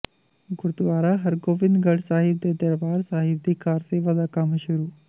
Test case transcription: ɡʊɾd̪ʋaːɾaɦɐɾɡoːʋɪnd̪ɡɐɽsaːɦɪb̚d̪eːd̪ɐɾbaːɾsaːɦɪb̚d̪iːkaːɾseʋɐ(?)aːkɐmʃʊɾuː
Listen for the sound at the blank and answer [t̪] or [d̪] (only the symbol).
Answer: d̪